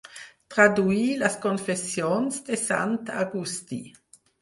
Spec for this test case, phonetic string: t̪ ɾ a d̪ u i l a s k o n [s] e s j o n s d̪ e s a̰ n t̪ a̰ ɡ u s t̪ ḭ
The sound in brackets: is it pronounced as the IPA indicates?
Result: no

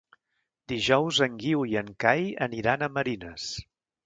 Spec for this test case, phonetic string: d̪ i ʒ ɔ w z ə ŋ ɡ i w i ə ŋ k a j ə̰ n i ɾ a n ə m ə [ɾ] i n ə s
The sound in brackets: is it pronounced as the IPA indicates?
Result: yes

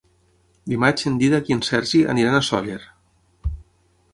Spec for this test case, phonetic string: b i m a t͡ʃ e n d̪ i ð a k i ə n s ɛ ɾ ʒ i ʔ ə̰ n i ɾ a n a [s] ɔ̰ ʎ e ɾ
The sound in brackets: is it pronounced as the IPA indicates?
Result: yes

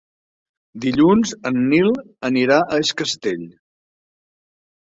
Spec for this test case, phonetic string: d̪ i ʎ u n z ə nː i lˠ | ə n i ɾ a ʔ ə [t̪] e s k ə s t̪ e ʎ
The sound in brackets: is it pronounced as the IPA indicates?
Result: no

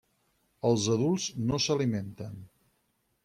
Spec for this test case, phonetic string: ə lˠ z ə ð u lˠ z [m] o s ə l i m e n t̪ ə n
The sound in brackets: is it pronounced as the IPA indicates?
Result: no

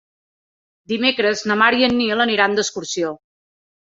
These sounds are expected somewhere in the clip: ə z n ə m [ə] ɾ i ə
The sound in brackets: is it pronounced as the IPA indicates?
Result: no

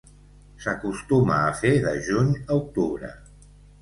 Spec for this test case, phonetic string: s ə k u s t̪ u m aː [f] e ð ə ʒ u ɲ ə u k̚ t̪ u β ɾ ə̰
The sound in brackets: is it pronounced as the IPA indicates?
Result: yes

